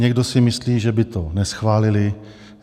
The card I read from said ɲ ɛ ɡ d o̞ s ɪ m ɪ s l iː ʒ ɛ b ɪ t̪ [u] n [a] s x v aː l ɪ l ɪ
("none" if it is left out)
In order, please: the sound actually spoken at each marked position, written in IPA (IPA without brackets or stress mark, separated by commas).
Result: o, ɛ